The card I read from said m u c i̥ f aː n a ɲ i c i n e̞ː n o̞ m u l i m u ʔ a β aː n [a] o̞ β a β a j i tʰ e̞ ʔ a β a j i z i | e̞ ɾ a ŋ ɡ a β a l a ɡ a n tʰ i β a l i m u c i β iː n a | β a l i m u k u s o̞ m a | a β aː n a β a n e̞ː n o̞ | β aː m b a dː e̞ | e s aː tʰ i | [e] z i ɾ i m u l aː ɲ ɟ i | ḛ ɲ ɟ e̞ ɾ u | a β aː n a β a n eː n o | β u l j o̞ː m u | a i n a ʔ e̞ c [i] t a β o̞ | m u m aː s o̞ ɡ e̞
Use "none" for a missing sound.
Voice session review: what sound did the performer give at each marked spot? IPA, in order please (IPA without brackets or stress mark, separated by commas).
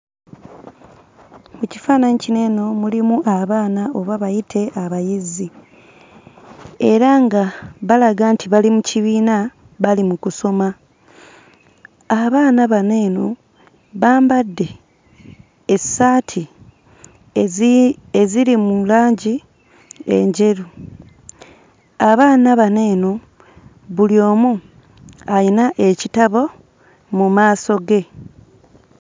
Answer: a, e, i